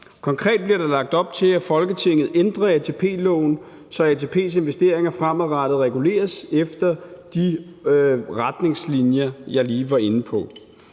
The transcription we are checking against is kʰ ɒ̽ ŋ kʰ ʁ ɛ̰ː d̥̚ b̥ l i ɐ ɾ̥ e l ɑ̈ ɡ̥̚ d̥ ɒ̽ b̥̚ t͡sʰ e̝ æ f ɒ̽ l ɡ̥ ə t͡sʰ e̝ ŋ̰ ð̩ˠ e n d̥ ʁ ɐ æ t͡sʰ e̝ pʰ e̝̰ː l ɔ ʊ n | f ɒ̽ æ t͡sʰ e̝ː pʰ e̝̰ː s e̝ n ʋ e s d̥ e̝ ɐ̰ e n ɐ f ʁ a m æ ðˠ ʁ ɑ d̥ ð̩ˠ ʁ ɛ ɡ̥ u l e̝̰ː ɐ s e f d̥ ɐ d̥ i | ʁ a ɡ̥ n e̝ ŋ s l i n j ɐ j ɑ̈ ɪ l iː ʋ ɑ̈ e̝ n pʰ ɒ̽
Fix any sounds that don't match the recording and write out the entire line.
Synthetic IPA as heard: kʰ ɒ̽ ŋ kʰ ʁ ɛ̰ː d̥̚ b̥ l i ɐ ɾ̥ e l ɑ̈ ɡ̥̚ d̥ ɒ̽ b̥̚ t͡sʰ e̝ æ f ɒ̽ l ɡ̥ ə t͡sʰ e̝ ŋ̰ ð̩ˠ e n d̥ ʁ ɐ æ t͡sʰ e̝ pʰ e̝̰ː l ɔ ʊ n | s ɒ̽ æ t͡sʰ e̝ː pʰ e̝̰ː s e̝ n ʋ e s d̥ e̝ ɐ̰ e ŋ ɐ f ʁ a m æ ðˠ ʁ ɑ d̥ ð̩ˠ ʁ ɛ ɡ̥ u l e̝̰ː ɐ s e f d̥ ɐ d̥ i | ʁ a d̥ n e̝ ŋ s l i n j ɐ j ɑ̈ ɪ l iː ʋ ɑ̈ e̝ n pʰ ɒ̽